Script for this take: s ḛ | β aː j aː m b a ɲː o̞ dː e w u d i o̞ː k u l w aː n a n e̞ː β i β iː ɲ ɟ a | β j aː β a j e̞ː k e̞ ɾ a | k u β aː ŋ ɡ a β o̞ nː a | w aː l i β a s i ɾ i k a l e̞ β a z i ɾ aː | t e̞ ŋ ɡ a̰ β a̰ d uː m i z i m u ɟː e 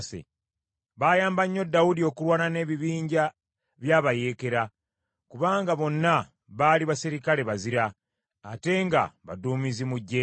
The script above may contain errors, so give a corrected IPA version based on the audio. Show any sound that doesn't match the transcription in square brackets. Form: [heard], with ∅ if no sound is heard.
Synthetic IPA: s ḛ | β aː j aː m b a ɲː o̞ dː [a] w u d i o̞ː k u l w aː n a n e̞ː β i β iː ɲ ɟ a | β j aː β a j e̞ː k e̞ ɾ a | k u β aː ŋ ɡ a β o̞ nː a | [β] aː l i β a s i ɾ i k a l e̞ β a z i ɾ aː | t e̞ ŋ ɡ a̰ β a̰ d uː m i z i m u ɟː e